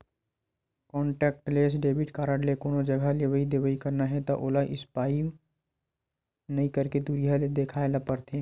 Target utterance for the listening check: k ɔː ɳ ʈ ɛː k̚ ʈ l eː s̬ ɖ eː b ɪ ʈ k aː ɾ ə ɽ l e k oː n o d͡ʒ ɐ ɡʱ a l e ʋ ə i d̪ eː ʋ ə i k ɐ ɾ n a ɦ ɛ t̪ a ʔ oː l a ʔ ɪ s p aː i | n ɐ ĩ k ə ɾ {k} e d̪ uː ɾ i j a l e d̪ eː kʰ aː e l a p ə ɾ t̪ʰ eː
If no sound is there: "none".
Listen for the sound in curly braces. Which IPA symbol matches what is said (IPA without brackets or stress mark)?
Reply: k